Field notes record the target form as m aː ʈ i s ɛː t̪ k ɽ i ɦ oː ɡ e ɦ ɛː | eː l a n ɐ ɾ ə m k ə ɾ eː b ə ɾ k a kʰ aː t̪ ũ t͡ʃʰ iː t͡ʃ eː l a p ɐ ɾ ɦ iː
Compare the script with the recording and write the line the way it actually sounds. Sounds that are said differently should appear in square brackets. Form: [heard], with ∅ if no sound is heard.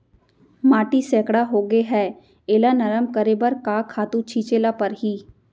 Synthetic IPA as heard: m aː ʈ i s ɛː [∅] k ɽ [a] ɦ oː ɡ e ɦ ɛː | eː l a n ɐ ɾ ə m k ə ɾ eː b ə ɾ k a kʰ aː t̪ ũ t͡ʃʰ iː t͡ʃ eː l a p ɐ ɾ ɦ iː